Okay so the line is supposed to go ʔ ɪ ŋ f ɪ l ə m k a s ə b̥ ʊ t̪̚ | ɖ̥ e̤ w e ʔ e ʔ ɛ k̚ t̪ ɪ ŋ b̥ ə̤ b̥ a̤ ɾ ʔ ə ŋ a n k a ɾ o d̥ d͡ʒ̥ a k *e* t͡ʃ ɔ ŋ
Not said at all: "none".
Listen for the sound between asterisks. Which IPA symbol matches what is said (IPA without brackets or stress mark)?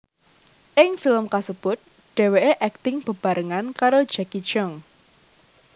i